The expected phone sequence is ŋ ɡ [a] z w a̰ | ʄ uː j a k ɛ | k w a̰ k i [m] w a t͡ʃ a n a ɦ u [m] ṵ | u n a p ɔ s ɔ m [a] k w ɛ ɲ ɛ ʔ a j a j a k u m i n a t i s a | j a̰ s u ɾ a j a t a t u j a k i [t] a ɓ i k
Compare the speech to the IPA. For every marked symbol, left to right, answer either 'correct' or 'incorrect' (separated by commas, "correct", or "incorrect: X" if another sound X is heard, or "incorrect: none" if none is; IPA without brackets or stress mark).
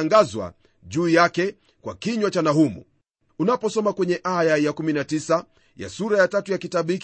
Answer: correct, incorrect: ɲ, correct, correct, correct